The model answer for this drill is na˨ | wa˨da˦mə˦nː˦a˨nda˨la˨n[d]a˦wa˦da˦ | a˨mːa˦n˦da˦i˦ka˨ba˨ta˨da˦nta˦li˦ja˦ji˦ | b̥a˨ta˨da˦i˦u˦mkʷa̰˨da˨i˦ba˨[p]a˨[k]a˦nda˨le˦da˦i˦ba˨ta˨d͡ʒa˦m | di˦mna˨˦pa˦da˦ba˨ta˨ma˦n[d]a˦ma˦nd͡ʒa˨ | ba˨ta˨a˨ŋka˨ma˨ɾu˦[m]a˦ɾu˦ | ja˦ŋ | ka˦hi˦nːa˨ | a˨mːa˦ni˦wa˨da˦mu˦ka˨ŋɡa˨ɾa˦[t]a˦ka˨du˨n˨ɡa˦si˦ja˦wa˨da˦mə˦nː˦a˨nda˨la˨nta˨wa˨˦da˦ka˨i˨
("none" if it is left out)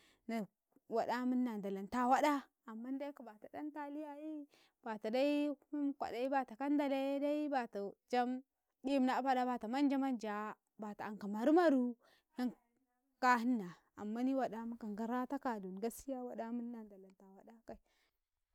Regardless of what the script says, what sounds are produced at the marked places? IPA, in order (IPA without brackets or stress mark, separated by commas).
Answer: t, t, k, d͡ʒ, m, t